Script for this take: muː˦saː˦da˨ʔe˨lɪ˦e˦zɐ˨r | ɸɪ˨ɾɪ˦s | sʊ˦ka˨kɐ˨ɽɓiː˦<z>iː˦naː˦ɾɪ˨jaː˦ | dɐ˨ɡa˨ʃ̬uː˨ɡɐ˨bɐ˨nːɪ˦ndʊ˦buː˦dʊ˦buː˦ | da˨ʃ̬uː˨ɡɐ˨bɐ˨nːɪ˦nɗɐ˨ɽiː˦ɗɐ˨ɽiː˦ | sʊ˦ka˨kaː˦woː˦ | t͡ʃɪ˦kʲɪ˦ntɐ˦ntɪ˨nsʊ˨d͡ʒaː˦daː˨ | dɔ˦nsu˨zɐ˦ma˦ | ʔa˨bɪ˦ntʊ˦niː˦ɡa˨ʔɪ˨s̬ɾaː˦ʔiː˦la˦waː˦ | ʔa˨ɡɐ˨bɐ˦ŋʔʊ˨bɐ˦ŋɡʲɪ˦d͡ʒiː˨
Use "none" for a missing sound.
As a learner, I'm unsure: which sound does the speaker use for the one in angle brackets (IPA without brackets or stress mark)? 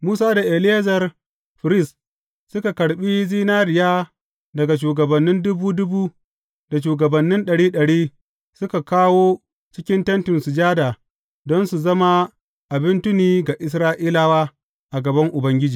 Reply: z